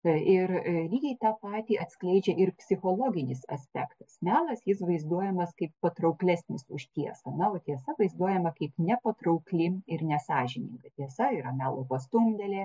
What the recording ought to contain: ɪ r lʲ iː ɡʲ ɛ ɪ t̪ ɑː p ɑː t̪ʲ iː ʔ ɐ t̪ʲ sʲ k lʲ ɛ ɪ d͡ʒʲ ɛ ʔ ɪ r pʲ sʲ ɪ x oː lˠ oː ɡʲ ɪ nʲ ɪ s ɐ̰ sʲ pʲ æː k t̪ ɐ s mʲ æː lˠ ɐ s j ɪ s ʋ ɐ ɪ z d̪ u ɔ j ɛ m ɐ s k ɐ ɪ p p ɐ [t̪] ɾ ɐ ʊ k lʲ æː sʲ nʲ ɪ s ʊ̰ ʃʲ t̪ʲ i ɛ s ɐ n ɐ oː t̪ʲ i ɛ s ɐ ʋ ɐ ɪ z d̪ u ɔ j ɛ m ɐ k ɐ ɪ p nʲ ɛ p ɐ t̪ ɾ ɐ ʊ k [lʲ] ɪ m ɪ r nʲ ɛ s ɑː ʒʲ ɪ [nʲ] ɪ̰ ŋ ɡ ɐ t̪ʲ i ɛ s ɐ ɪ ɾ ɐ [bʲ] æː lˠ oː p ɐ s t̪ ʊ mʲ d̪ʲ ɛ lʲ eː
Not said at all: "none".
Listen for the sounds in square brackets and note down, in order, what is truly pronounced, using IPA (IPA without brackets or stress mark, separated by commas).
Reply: t̪, lʲ, nʲ, mʲ